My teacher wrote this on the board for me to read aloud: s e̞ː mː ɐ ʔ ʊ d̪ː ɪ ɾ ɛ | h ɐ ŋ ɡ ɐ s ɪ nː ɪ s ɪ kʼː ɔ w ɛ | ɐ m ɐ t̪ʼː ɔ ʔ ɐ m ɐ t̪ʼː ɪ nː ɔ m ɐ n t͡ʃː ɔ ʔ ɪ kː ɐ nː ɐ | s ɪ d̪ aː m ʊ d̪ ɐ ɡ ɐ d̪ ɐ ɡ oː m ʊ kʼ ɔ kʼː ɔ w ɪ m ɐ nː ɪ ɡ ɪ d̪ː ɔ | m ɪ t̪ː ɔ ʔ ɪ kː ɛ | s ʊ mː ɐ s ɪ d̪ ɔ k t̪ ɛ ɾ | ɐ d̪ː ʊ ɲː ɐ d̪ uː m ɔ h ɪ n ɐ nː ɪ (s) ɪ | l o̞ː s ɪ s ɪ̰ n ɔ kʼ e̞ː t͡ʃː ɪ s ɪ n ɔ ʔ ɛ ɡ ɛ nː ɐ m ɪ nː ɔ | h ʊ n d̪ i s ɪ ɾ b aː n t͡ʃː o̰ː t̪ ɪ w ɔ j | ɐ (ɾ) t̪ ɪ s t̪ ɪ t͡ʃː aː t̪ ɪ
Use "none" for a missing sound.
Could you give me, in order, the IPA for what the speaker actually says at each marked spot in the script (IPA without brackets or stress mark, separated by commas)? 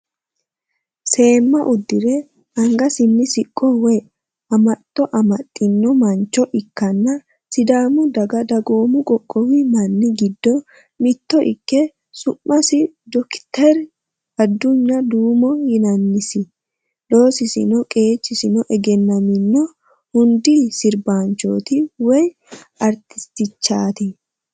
s, ɾ